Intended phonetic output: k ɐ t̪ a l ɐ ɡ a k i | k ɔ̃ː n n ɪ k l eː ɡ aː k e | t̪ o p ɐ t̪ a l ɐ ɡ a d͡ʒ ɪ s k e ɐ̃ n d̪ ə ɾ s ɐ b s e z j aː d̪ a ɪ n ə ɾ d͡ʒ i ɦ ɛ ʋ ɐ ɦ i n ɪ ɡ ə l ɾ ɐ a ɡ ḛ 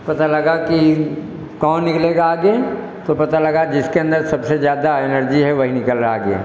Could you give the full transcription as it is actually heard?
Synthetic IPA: p ɐ t̪ a l ɐ ɡ a k i | k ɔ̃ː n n ɪ k l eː ɡ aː ɡ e | t̪ o p ɐ t̪ a l ɐ ɡ a d͡ʒ ɪ s k e ɐ̃ n d̪ ə ɾ s ɐ b s e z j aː d̪ a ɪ n ə ɾ d͡ʒ i ɦ ɛ ʋ ɐ ɦ i n ɪ k ə l ɾ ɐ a ɡ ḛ